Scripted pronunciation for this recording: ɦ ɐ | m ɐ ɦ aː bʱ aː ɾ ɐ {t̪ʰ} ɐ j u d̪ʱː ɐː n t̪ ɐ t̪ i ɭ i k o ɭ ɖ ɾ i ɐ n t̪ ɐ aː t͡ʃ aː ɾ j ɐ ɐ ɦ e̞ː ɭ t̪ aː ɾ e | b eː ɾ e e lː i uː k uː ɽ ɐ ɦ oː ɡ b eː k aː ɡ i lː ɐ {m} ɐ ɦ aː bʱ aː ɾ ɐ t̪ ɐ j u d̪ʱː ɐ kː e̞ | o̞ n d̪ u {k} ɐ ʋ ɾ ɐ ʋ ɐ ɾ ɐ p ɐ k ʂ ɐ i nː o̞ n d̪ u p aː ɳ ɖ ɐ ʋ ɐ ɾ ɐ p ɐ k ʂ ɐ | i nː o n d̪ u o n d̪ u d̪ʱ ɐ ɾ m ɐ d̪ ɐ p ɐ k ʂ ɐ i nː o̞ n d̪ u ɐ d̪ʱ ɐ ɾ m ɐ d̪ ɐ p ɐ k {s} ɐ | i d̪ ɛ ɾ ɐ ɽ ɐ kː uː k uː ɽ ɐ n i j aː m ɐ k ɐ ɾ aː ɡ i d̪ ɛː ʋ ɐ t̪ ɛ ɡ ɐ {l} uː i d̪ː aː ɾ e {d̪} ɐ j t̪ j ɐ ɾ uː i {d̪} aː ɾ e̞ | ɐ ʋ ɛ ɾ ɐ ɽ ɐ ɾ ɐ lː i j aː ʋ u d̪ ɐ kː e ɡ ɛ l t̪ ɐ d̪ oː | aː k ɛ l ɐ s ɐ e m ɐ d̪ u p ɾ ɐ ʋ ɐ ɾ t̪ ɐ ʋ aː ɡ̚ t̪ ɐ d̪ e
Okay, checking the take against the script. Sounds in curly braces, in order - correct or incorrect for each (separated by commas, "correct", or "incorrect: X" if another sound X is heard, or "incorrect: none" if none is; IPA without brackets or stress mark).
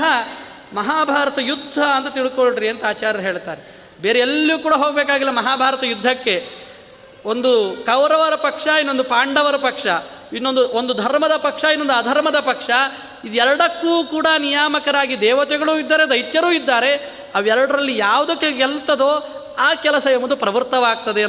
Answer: incorrect: t̪, correct, correct, incorrect: ʂ, incorrect: ɭ, correct, incorrect: d̪ː